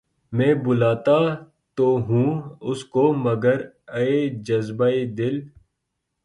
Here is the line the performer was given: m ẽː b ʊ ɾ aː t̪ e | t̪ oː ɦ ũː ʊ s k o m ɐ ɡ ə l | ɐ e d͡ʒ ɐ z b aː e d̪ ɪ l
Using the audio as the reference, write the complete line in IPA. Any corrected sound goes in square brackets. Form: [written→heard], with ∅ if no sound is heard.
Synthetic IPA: m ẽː b ʊ [ɾ→l] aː t̪ [e→a] | t̪ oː ɦ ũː ʊ s k o m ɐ ɡ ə [l→ɾ] | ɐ e d͡ʒ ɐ z b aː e d̪ ɪ l